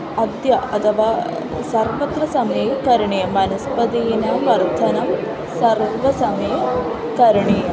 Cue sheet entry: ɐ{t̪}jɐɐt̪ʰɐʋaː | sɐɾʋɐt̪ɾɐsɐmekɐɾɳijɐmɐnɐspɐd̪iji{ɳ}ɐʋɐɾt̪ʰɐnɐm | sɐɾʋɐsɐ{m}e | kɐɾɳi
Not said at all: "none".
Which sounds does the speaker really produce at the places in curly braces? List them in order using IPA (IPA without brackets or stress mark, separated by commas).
d̪, n, m